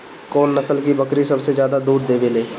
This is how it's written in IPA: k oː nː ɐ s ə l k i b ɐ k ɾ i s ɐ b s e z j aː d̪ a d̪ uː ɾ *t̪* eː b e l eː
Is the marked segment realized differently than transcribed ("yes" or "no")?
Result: yes